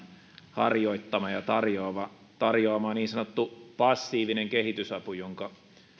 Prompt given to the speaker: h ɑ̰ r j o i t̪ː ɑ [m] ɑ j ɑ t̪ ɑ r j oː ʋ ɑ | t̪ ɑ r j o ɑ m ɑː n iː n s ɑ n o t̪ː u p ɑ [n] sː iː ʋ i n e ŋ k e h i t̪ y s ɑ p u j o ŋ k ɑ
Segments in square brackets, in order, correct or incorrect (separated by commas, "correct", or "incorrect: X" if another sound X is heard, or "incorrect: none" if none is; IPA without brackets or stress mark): correct, incorrect: none